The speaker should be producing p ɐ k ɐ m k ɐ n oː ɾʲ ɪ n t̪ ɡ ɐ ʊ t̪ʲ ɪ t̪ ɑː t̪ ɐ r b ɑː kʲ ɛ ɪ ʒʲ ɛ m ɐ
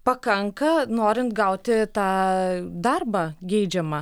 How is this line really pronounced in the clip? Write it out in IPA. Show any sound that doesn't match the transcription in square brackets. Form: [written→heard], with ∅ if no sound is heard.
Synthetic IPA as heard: p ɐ k ɐ [m→ŋ] k ɐ n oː ɾʲ ɪ n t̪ ɡ ɐ ʊ t̪ʲ ɪ t̪ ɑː [t̪→d̪] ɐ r b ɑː [kʲ→ɡʲ] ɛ ɪ [ʒʲ→d͡ʒʲ] ɛ m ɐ